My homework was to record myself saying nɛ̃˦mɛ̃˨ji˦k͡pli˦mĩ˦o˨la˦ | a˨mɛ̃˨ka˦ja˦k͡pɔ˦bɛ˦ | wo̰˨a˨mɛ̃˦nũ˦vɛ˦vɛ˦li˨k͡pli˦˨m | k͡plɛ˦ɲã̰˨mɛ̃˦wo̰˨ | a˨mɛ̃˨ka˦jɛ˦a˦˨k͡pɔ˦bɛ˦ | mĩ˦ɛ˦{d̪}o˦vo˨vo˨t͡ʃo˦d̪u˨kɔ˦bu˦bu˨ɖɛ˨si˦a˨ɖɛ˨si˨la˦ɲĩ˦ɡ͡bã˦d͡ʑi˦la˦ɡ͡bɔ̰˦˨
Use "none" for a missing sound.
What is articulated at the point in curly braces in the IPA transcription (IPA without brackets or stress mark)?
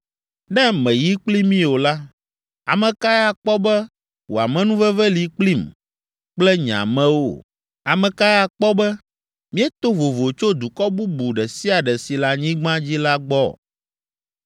t̪